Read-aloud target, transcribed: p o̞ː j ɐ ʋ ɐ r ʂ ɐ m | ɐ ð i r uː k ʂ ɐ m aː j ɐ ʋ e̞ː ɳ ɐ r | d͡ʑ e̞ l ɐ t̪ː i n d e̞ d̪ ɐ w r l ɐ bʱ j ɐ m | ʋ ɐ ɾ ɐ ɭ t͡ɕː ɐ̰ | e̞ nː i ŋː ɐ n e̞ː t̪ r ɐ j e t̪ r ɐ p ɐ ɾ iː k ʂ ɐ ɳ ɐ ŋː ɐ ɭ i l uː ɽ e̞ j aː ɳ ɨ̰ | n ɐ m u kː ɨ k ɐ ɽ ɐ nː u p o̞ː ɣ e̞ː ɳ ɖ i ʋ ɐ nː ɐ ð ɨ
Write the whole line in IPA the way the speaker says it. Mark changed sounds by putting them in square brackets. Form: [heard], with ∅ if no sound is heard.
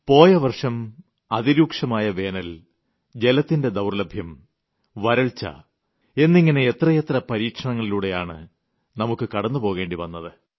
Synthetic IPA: p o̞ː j ɐ ʋ ɐ r ʂ ɐ m | ɐ ð i [ɾ] uː k ʂ ɐ m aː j ɐ ʋ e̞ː [n] ɐ [l] | d͡ʑ e̞ l ɐ t̪ː i n d e̞ d̪ ɐ w r l ɐ bʱ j ɐ m | ʋ ɐ ɾ ɐ ɭ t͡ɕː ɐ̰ | e̞ nː i ŋː ɐ n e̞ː t̪ r ɐ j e t̪ r ɐ p ɐ ɾ iː k ʂ ɐ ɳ ɐ ŋː ɐ ɭ i l uː ɽ e̞ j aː ɳ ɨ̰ | n ɐ m u kː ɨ k ɐ ɽ ɐ nː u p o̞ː ɣ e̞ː ɳ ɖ i ʋ ɐ nː ɐ ð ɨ